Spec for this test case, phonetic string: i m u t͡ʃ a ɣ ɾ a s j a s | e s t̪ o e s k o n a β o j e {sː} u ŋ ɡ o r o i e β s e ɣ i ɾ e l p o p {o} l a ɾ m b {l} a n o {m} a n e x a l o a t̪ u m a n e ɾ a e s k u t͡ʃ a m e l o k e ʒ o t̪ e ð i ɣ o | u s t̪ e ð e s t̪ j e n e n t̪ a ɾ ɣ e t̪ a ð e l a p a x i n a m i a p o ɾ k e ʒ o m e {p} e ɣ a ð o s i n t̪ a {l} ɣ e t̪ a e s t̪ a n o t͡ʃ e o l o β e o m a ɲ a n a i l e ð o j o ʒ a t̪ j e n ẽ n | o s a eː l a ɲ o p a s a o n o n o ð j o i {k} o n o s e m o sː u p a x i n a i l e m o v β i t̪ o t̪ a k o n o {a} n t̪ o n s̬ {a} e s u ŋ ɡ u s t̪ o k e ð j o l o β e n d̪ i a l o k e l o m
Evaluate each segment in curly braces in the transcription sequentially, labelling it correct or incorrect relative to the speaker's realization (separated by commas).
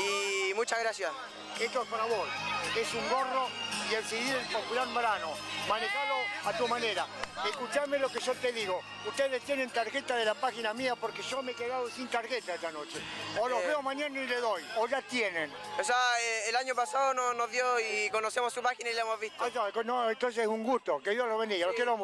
incorrect, incorrect, incorrect, correct, incorrect, incorrect, correct, incorrect, incorrect